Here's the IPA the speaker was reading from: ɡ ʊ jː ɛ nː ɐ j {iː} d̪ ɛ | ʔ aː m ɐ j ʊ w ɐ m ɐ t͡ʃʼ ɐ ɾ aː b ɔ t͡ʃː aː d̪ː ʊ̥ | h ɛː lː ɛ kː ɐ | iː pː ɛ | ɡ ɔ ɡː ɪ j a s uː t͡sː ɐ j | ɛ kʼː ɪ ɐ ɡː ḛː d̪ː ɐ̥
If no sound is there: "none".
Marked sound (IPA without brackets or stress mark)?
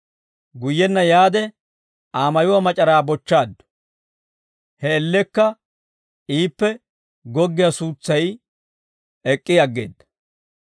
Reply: aː